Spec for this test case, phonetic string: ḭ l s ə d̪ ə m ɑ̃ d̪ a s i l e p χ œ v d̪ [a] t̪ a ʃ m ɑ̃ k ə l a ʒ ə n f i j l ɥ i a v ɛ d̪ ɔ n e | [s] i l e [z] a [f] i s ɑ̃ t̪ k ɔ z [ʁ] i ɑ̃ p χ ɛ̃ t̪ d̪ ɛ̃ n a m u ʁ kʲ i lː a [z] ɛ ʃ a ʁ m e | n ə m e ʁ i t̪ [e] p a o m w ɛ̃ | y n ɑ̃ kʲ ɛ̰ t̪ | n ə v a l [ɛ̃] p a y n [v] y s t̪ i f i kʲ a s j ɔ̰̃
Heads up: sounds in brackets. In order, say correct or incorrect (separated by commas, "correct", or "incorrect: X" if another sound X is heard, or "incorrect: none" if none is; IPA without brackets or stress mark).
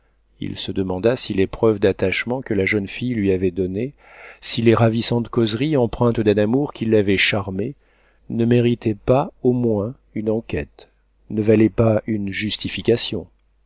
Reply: correct, correct, incorrect: ʁ, incorrect: v, correct, incorrect: v, incorrect: ɛ, incorrect: ɛ, incorrect: ʒ